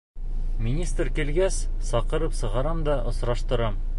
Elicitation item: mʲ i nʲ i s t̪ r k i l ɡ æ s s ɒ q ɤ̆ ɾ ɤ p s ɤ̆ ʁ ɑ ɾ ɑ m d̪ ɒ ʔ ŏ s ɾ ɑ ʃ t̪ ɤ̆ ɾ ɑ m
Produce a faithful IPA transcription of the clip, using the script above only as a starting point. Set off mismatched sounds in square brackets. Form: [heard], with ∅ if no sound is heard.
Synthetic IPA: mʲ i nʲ i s t̪ r k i l ɡ æ s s ɒ q ɤ̆ ɾ ɤ p s ɤ̆ ʁ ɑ ɾ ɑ m d̪ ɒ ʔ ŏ s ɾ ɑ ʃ t̪ ɤ̆ ɾ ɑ m